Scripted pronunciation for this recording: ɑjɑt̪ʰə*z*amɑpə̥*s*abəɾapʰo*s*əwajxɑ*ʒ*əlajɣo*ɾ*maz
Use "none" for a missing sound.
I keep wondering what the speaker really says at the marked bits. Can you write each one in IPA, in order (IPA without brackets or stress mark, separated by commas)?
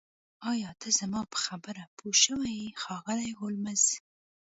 z, x, ʃ, ɣ, l